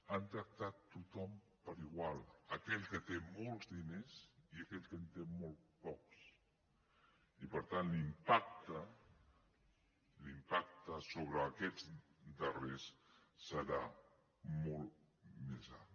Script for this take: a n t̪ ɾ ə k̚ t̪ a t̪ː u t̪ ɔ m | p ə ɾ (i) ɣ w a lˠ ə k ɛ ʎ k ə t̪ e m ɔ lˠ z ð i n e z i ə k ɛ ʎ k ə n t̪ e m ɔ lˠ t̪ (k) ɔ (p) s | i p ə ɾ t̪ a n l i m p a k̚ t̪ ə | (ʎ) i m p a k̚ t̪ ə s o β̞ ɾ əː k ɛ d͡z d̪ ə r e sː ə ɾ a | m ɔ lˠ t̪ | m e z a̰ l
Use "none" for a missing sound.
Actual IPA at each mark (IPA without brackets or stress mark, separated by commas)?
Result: i, p, k, l